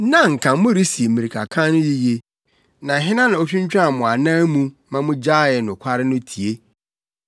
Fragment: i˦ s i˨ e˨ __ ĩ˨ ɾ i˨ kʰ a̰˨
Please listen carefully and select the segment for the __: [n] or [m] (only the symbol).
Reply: m